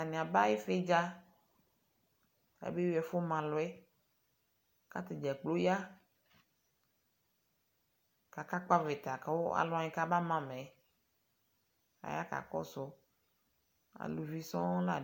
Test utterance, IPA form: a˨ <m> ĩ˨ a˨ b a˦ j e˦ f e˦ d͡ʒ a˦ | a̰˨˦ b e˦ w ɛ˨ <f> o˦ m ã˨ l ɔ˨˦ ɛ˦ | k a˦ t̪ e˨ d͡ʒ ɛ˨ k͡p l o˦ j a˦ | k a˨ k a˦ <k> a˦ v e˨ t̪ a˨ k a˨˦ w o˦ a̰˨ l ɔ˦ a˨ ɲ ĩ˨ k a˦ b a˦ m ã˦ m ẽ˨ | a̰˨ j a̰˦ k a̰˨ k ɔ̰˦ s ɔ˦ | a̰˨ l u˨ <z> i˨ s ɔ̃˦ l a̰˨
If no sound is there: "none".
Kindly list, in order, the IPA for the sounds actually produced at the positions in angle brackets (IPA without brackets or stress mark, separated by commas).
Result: n, f, k͡p, v